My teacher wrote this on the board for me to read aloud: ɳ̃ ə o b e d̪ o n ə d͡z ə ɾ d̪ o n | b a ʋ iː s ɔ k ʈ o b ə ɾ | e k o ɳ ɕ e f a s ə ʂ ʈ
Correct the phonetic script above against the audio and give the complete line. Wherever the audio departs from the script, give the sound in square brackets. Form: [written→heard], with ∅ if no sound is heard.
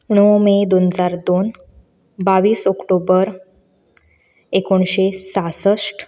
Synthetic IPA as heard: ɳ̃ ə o [b→m] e d̪ o n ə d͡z [ə→a] ɾ d̪ o n | b a ʋ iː s ɔ k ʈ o b ə ɾ | e k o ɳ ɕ e [f→s] a s ə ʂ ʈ